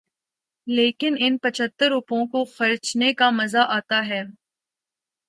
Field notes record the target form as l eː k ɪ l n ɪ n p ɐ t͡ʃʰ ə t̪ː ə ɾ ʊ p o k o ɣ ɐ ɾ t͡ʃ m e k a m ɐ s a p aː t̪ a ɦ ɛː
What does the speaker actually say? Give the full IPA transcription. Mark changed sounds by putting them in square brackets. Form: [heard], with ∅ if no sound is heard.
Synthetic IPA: l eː k ɪ [∅] n ɪ n p ɐ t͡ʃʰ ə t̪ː ə ɾ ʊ p [õ] k o [x] ɐ ɾ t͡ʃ [n] e k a m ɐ [z] a [ʔ] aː t̪ a ɦ ɛː